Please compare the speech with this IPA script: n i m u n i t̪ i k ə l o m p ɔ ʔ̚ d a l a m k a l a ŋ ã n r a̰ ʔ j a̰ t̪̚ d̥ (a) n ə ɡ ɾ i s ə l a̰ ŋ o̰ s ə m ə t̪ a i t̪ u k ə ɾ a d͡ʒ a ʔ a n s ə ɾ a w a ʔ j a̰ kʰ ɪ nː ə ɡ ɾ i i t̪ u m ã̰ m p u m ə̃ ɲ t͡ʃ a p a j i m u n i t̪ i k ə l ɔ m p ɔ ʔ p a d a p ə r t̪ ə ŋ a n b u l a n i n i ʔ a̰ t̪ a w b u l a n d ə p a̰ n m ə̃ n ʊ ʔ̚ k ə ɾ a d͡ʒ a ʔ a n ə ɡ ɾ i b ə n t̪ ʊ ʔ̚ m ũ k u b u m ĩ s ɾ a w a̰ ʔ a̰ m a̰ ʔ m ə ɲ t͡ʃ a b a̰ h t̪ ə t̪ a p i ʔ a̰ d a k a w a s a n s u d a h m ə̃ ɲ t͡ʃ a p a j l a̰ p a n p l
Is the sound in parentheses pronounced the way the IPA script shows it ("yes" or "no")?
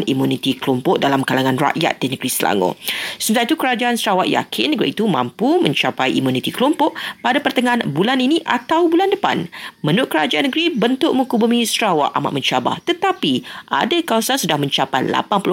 no